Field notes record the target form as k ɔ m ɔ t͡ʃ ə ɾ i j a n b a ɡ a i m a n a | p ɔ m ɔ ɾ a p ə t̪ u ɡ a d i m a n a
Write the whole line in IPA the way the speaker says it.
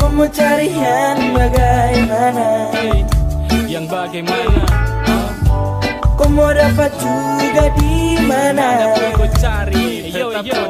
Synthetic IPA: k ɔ m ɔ t͡ʃ a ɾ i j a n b a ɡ a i m a n a | k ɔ m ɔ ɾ a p a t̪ u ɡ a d i m a n a